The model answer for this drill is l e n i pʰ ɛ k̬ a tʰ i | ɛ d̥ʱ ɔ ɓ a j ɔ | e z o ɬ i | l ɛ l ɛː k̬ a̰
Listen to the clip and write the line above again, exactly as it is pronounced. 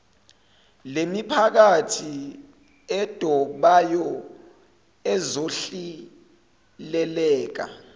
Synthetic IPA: l e m i pʰ a k̬ a tʰ i | ɛ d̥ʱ ɔ ɓ a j ɔ | ɛ z o ɬ i | l ɛ l ɛː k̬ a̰